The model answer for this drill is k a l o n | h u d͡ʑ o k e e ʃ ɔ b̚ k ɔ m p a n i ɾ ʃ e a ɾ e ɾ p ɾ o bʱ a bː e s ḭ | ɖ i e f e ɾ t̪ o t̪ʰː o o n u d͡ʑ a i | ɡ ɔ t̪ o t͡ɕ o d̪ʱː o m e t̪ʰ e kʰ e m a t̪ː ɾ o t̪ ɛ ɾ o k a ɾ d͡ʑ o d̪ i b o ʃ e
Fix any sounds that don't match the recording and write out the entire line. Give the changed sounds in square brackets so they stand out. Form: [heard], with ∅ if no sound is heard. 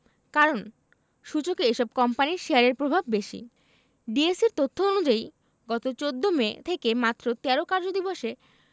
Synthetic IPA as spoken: k a [ɾ] o n | [ʃ] u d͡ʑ o k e e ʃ ɔ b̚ k ɔ m p a n i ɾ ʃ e a ɾ e ɾ p ɾ o bʱ a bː e [ʃ] ḭ | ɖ i e [s] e ɾ t̪ o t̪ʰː o o n u d͡ʑ a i | ɡ ɔ t̪ o t͡ɕ o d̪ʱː o m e t̪ʰ e [k] e m a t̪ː ɾ o t̪ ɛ ɾ o k a ɾ d͡ʑ o d̪ i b o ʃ e

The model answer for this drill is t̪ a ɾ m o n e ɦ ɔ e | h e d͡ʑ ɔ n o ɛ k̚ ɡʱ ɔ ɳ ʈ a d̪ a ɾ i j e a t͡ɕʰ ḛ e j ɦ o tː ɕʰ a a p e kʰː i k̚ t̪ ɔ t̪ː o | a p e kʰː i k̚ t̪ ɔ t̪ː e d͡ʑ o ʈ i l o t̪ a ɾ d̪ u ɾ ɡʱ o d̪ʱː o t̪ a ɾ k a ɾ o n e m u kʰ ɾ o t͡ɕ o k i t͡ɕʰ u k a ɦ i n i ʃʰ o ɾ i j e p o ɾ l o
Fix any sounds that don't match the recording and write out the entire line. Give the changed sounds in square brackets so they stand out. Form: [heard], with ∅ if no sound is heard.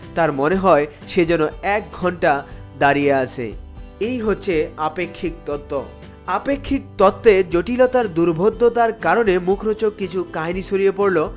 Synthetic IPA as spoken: t̪ a ɾ m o n e ɦ ɔ e | [ʃ] e d͡ʑ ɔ n o ɛ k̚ ɡʱ ɔ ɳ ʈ a d̪ a ɾ i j e a t͡ɕʰ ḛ e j ɦ o tː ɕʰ [e] a p e kʰː i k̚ t̪ ɔ t̪ː o | a p e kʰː i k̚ t̪ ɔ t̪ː e d͡ʑ o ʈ i l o t̪ a ɾ d̪ u ɾ [bʱ] o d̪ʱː o t̪ a ɾ k a ɾ o n e m u kʰ ɾ o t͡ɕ o k i t͡ɕʰ u k a ɦ i n i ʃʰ o ɾ i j e p o ɾ l o

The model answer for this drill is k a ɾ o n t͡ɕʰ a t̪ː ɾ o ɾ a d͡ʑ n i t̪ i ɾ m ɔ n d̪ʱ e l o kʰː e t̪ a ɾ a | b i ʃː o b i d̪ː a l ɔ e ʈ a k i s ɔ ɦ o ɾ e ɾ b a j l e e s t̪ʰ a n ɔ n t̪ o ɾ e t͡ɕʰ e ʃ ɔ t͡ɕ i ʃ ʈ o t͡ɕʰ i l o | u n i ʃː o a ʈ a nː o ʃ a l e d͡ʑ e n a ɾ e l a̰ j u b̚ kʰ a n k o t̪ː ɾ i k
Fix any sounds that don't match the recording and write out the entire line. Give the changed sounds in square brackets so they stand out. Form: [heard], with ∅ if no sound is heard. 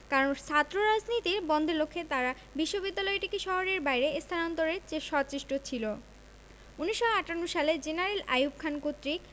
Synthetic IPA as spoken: k a ɾ o n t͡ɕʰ a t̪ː ɾ o ɾ a d͡ʑ n i t̪ i ɾ [b] ɔ n d̪ʱ e l o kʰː e t̪ a ɾ a | b i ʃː o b i d̪ː a l ɔ e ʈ [i] k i [ʃ] ɔ ɦ o ɾ e ɾ b a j [ɾ] e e s t̪ʰ a n ɔ n t̪ o ɾ e [t͡ɕ] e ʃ ɔ t͡ɕ i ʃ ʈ o t͡ɕʰ i l o | u n i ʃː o a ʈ a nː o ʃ a l e d͡ʑ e n a ɾ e l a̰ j u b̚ kʰ a n k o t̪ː ɾ i k

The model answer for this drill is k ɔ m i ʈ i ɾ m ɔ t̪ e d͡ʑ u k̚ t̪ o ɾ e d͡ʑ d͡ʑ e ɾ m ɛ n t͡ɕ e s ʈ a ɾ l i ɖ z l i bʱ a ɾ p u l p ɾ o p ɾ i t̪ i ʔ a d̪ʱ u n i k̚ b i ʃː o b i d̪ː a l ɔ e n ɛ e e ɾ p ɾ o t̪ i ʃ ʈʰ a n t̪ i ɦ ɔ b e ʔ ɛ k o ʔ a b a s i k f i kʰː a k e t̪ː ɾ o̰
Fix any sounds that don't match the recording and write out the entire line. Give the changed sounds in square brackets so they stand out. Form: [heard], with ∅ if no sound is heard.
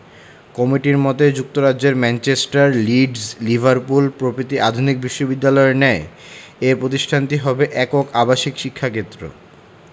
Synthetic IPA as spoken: k ɔ m i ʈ i ɾ m ɔ t̪ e d͡ʑ u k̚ t̪ o ɾ [a] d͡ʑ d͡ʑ e ɾ m ɛ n t͡ɕ e s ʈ a ɾ l i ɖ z l i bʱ a ɾ p u l p ɾ o p ɾ i t̪ i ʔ a d̪ʱ u n i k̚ b i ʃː o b i d̪ː a l ɔ e n ɛ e e ɾ p ɾ o t̪ i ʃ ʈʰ a n t̪ i ɦ ɔ b e ʔ ɛ k o [k] a b a [ʃ] i k [ʃ] i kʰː a k e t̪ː ɾ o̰

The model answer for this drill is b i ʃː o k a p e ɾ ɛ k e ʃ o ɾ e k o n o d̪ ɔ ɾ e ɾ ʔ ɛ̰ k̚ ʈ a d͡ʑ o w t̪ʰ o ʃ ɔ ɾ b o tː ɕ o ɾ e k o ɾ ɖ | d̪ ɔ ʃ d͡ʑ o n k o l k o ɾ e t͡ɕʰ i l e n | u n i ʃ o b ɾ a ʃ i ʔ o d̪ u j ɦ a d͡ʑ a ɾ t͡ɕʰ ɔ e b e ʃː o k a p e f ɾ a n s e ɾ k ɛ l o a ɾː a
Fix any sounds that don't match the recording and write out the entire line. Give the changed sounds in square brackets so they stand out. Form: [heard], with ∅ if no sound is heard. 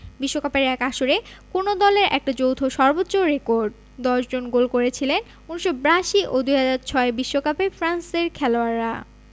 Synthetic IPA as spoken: b i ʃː o k a p e ɾ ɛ k [a] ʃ o ɾ e k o n o d̪ ɔ [l] e ɾ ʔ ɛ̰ k̚ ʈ a d͡ʑ o w t̪ʰ o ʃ ɔ ɾ b o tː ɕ o ɾ e k o ɾ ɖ | d̪ ɔ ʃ d͡ʑ o n [ɡ] o l k o ɾ e t͡ɕʰ i l e n | u n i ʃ o b ɾ a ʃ i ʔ o d̪ u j ɦ a d͡ʑ a ɾ t͡ɕʰ ɔ e b [i] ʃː o k a p e f ɾ a n s e ɾ [kʰ] ɛ l o a ɾː a

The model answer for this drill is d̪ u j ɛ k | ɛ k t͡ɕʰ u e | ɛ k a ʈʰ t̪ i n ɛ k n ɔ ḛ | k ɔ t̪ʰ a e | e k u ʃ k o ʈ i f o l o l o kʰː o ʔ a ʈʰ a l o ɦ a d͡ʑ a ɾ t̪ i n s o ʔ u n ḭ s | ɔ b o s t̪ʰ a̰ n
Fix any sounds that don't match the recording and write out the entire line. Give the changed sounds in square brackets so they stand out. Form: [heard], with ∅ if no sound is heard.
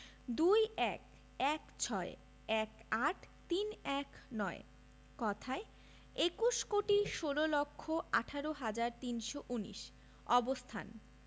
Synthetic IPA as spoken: d̪ u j ɛ k | ɛ k t͡ɕʰ [ɔ] e | ɛ k a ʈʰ t̪ i n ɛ k n ɔ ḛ | k ɔ t̪ʰ a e | e k u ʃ k o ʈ i [ʃ] o l o l o kʰː o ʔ a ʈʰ a [ɾ] o ɦ a d͡ʑ a ɾ t̪ i n [ʃ] o ʔ u n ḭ [ʃ] | ɔ b o s t̪ʰ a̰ n

